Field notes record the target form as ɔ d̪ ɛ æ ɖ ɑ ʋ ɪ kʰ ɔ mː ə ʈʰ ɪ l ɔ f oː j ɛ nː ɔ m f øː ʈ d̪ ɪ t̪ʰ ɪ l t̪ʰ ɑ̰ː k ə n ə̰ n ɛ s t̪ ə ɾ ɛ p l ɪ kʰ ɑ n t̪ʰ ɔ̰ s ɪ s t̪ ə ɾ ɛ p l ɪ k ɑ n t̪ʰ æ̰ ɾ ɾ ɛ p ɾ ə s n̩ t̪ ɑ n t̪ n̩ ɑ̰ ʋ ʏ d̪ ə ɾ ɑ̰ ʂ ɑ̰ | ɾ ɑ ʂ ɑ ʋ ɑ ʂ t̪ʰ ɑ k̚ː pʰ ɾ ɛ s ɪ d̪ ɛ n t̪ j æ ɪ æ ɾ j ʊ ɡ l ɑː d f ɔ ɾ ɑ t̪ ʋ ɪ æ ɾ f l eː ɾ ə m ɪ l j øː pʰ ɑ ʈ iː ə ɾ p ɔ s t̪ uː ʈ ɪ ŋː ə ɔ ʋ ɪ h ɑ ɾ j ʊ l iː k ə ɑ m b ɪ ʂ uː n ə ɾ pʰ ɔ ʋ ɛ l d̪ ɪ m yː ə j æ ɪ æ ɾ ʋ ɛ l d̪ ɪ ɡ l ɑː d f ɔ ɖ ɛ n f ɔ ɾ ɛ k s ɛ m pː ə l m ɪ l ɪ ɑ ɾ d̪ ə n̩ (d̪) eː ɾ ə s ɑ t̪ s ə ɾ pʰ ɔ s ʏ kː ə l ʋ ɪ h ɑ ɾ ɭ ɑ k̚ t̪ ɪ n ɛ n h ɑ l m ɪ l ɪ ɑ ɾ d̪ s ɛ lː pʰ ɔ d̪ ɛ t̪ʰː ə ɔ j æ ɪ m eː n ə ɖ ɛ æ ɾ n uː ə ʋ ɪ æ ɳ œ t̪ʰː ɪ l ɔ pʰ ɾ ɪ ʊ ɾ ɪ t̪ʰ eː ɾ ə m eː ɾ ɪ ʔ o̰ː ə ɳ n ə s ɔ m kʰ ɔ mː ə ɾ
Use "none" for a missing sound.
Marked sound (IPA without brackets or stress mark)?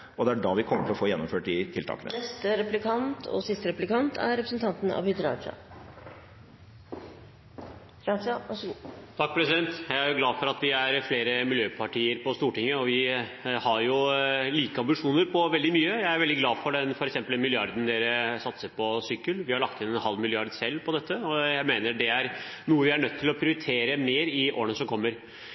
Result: d̪